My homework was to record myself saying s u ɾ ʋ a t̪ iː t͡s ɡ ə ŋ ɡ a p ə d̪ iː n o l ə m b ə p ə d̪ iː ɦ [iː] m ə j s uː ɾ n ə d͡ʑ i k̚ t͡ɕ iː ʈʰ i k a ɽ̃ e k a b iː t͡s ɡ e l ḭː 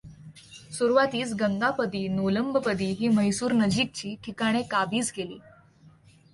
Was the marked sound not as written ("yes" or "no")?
no